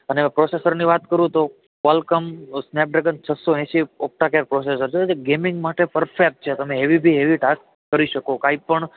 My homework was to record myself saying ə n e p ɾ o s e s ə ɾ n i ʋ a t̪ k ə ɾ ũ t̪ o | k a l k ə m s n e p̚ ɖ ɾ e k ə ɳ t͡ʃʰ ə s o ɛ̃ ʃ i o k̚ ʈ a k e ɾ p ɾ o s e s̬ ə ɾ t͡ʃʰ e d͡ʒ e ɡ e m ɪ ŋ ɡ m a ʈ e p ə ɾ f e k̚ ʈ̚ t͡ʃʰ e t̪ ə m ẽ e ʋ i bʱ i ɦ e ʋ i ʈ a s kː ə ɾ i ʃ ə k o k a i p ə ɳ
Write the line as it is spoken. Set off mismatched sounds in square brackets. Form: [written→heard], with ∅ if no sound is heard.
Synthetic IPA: ə n e p ɾ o s e s ə ɾ n i ʋ a t̪ k ə ɾ ũ t̪ o | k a l k ə m s n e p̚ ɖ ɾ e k ə [ɳ→n] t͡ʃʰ ə s o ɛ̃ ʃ i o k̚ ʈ a k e ɾ p ɾ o s e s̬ ə ɾ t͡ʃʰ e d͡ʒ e ɡ e m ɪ ŋ ɡ m a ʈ e p ə ɾ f e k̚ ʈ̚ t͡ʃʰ e t̪ ə m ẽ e ʋ i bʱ i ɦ e ʋ i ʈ a s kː ə ɾ i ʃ ə k o k a i p ə ɳ

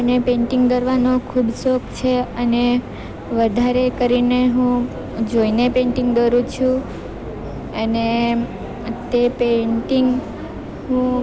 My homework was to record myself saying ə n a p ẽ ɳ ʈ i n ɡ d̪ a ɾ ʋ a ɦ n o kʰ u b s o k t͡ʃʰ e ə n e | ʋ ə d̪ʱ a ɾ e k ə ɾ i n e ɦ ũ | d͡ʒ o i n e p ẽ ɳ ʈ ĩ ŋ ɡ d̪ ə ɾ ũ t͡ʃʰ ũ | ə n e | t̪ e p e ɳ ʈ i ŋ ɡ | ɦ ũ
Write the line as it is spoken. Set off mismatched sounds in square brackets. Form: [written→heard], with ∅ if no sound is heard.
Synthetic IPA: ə n [a→e] p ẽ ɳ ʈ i [n→ŋ] ɡ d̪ [a→ə] ɾ ʋ a [ɦ→∅] n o kʰ u b s o k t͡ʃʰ e ə n e | ʋ ə d̪ʱ a ɾ e k ə ɾ i n e ɦ ũ | d͡ʒ o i n e p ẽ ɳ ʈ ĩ ŋ ɡ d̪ ə ɾ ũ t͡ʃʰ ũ | ə n e | t̪ e p e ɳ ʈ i ŋ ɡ | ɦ ũ

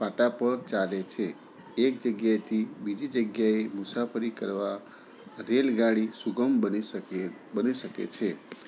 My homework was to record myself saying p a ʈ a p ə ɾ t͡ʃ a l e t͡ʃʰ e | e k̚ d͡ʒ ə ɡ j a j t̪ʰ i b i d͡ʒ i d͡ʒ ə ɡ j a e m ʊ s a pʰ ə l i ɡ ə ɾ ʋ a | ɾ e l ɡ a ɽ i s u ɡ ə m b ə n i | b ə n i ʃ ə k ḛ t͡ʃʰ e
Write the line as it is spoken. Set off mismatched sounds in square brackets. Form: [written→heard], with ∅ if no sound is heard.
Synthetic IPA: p a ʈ a p ə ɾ t͡ʃ a l e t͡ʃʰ e | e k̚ d͡ʒ ə ɡ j a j t̪ʰ i b i d͡ʒ i d͡ʒ ə ɡ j a e m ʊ s a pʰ ə [l→ɾ] i [ɡ→k] ə ɾ ʋ a | ɾ e l ɡ a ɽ i s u ɡ ə m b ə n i | b ə n i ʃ ə k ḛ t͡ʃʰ e

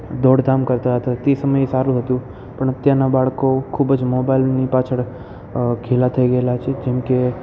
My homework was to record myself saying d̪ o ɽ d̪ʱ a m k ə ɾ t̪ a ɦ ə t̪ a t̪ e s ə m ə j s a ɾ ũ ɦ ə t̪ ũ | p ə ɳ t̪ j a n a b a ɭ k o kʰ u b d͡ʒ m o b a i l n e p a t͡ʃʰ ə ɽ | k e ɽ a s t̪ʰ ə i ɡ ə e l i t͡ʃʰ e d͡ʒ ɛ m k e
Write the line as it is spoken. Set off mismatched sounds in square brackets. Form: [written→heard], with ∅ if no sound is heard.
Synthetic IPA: d̪ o ɽ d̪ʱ a m k ə ɾ t̪ a ɦ ə t̪ a t̪ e s ə m ə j s a ɾ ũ ɦ ə t̪ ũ | p ə ɳ t̪ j a n a b a ɭ k o kʰ u b d͡ʒ m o b a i l n [e→i] p a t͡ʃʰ ə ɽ | [k→kʰ] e [ɽ→l] a [s→∅] t̪ʰ ə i ɡ ə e l [i→a] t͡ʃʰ e d͡ʒ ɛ m k e

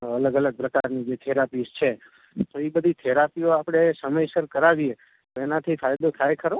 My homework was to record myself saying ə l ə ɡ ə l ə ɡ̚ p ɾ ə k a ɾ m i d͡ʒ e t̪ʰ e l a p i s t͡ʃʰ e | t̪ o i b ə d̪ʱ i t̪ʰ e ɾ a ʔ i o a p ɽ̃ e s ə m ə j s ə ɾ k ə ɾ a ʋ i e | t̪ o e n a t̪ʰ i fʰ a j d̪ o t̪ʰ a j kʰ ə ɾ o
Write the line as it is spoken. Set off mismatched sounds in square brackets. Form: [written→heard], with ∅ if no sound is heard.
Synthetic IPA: ə l ə ɡ ə l ə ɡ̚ p ɾ ə k a ɾ [m→n] i d͡ʒ e t̪ʰ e [l→ɾ] a p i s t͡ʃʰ e | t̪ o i b ə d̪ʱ i t̪ʰ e ɾ a [ʔ→p] i o a p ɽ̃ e s ə m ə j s ə ɾ k ə ɾ a ʋ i e | t̪ o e n a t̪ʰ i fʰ a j d̪ o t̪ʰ a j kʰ ə ɾ o

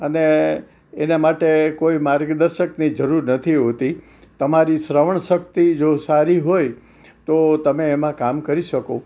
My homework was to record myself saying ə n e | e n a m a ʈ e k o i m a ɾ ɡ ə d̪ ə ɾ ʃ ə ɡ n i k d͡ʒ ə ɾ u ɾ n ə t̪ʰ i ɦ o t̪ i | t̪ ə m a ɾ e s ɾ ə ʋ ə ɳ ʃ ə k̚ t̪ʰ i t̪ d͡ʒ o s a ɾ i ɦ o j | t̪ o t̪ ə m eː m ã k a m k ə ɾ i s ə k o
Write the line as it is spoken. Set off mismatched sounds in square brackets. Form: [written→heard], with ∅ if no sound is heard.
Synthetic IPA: ə n e | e n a m a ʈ e k o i m a ɾ ɡ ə d̪ ə ɾ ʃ ə [ɡ→k] n i [k→∅] d͡ʒ ə ɾ u ɾ n ə t̪ʰ i ɦ o t̪ i | t̪ ə m a ɾ [e→i] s ɾ ə ʋ ə ɳ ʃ ə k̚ [t̪ʰ→t̪] i [t̪→∅] d͡ʒ o s a ɾ i ɦ o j | t̪ o t̪ ə m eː m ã k a m k ə ɾ i [s→ʃ] ə k o

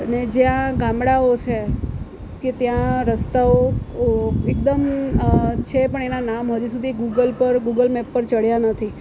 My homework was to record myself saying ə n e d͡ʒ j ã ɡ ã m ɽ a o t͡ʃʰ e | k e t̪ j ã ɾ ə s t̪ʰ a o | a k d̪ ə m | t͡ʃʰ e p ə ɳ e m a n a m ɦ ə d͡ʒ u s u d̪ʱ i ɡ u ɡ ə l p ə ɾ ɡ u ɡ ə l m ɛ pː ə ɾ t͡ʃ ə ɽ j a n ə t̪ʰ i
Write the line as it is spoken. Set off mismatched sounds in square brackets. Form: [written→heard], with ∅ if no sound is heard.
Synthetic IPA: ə n e d͡ʒ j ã ɡ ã m ɽ a o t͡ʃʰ e | k e t̪ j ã ɾ ə s [t̪ʰ→t̪] a o | [a→e] k d̪ ə m | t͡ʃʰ e p ə ɳ e [m→n] a n a m ɦ ə d͡ʒ u s u d̪ʱ i ɡ u ɡ ə l p ə ɾ ɡ u ɡ ə l m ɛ pː ə ɾ t͡ʃ ə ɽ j a n ə t̪ʰ i

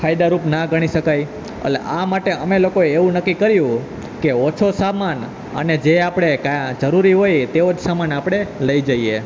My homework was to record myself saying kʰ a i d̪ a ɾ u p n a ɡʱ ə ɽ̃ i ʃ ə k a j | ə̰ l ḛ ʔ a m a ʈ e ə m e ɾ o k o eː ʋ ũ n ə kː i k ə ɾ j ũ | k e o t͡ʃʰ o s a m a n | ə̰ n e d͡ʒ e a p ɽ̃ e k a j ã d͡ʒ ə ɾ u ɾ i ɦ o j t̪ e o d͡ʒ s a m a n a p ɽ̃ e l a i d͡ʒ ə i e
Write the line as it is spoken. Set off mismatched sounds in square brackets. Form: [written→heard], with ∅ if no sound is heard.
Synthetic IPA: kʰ a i d̪ a ɾ u p n a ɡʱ ə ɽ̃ i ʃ ə k a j | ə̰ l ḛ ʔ a m a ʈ e ə m e [ɾ→l] o k o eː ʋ ũ n ə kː i k ə ɾ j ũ | k e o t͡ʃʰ o s a m a n | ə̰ n e d͡ʒ e a p ɽ̃ e k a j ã d͡ʒ ə ɾ u ɾ i ɦ o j t̪ e o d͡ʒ s a m a n a p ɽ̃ e l [a→ə] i d͡ʒ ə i e

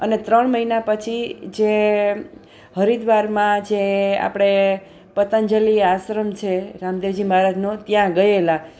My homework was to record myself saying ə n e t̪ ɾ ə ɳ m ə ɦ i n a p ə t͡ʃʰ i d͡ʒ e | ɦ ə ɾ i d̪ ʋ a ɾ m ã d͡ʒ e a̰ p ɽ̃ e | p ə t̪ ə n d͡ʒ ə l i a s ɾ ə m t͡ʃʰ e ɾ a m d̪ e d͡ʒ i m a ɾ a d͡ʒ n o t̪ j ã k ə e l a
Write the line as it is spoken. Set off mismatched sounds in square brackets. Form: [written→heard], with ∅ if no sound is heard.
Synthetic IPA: ə n e t̪ ɾ ə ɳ m ə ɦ i n a p ə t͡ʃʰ i d͡ʒ e | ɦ ə ɾ i d̪ ʋ a ɾ m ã d͡ʒ e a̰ p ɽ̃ e | p ə t̪ ə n d͡ʒ ə l i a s ɾ ə m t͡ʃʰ e ɾ a m d̪ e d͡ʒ i m a ɾ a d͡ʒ n o t̪ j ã [k→ɡ] ə e l a

